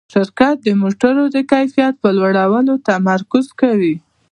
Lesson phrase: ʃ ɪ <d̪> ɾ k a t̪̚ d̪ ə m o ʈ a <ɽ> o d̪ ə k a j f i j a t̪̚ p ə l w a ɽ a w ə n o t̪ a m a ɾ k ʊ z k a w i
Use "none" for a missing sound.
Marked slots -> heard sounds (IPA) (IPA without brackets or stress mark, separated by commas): none, ɾ